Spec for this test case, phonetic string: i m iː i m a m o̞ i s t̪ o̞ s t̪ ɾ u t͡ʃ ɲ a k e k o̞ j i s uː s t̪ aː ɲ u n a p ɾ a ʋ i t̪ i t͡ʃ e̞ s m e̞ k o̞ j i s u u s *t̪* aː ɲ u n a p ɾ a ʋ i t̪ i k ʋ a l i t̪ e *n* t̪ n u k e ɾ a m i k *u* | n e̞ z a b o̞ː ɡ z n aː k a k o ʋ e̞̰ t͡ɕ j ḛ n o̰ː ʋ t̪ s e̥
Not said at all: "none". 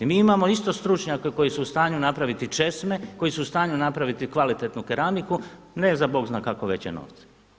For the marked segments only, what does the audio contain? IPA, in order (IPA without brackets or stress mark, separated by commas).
t̪, none, u